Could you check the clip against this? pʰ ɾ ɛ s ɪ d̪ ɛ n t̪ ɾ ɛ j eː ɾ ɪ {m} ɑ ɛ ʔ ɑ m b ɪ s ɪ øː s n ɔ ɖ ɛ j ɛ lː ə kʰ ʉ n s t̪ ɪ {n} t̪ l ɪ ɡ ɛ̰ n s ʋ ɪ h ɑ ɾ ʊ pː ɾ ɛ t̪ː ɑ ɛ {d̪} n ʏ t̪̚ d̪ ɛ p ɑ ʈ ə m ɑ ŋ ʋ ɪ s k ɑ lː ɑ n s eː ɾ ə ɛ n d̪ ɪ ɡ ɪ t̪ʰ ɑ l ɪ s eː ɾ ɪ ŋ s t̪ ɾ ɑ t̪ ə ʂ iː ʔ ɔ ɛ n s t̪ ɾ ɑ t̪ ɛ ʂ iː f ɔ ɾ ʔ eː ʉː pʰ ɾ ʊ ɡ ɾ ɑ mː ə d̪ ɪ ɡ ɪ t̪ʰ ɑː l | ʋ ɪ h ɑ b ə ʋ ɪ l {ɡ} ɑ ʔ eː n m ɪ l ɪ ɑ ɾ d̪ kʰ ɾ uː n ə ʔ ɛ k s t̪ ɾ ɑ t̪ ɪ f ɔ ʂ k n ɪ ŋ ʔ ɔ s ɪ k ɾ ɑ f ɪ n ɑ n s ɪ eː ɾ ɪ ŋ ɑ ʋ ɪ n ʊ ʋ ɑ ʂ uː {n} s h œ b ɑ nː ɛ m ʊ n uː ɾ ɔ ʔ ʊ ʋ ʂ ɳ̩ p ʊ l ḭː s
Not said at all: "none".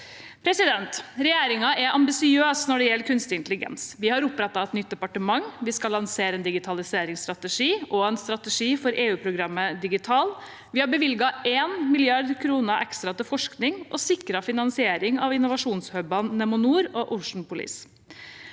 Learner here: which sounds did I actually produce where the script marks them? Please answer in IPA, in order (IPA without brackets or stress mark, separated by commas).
ŋ, n, t̪, ɡ, n